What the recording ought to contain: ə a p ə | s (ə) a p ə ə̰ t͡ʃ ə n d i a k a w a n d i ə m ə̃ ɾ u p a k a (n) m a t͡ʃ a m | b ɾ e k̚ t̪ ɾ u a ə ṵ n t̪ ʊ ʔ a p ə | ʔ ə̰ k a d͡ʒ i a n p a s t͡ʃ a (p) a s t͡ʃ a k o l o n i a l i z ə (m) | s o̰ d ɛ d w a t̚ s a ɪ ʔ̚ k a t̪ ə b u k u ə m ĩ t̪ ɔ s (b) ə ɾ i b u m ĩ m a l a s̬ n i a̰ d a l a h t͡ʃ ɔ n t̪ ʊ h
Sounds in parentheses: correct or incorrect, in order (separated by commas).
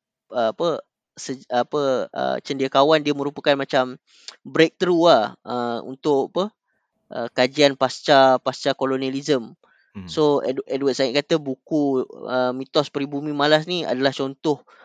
correct, correct, correct, correct, incorrect